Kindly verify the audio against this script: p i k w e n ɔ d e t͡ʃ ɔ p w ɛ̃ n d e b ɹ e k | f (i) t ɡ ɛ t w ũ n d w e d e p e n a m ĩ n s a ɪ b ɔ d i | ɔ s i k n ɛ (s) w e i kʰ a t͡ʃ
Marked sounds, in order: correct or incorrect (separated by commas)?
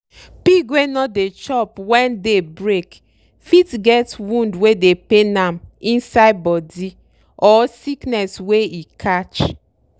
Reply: correct, correct